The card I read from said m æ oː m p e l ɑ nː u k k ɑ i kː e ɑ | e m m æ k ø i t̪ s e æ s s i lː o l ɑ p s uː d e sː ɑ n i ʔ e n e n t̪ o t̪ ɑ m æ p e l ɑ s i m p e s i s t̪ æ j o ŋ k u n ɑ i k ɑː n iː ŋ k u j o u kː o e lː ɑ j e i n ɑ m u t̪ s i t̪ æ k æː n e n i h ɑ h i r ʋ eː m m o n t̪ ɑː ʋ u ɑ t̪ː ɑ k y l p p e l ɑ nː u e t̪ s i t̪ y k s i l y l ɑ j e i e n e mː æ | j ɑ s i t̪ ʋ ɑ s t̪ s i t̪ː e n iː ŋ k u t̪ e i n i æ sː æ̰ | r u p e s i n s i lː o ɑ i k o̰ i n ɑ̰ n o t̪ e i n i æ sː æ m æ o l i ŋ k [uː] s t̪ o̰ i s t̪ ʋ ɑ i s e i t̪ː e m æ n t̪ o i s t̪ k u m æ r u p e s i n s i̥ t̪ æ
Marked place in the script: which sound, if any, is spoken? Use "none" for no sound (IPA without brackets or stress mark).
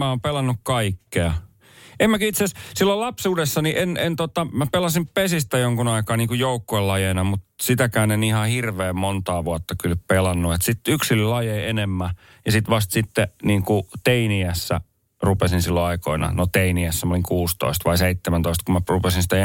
uː